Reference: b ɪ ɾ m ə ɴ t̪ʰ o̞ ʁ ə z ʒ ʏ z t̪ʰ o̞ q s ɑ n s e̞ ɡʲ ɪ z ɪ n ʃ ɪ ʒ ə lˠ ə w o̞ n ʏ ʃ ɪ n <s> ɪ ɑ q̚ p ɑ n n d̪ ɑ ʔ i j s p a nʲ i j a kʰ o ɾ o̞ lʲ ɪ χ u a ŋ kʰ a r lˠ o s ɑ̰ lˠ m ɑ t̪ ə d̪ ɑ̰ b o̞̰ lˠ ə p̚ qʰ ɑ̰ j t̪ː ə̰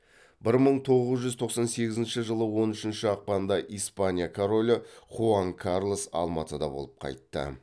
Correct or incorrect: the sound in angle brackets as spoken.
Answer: incorrect: ʃ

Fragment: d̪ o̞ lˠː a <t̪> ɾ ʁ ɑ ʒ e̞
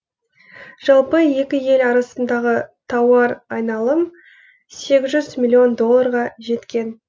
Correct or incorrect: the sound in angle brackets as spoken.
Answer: incorrect: none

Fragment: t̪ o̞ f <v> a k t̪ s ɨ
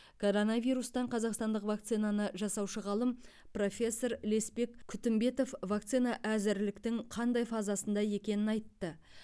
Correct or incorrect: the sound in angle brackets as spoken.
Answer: correct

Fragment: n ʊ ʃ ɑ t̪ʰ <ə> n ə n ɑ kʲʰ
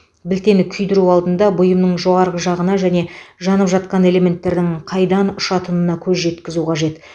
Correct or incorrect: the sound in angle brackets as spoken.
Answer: correct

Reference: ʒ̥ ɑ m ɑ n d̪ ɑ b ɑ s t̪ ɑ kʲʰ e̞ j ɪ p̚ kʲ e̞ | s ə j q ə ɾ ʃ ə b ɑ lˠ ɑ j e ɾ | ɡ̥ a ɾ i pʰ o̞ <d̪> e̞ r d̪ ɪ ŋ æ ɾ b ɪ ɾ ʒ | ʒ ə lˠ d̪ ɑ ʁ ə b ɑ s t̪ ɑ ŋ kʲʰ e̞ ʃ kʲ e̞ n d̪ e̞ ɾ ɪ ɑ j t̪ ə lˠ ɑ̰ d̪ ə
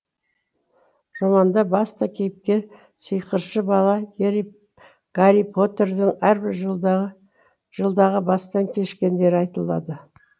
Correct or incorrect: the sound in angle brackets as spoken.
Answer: incorrect: t̪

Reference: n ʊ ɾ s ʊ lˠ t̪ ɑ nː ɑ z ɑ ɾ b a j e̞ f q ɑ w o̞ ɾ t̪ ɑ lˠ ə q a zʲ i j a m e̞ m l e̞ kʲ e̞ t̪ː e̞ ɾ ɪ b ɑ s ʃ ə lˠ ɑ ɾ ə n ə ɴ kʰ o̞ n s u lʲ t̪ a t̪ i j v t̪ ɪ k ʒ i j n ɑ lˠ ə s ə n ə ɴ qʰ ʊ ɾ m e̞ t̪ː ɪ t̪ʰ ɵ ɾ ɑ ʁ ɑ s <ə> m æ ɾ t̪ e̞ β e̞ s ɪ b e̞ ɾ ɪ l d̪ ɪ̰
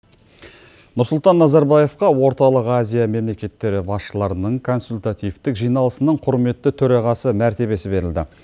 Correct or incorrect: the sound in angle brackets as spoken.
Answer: correct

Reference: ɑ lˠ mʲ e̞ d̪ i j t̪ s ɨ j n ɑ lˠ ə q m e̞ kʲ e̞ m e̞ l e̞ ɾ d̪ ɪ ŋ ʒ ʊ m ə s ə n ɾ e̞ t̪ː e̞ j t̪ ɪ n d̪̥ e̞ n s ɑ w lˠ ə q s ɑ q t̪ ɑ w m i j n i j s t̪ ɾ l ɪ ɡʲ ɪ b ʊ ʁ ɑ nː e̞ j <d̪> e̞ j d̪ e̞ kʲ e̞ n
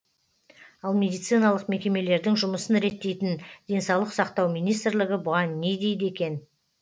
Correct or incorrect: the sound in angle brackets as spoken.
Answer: correct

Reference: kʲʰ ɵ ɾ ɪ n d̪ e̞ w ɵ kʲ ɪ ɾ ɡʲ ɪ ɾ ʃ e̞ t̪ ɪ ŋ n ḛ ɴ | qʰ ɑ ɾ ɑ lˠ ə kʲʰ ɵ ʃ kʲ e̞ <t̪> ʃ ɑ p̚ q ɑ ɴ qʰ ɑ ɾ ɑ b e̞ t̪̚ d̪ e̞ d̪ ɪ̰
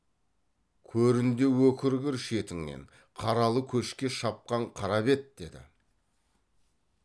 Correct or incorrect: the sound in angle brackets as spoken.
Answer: incorrect: none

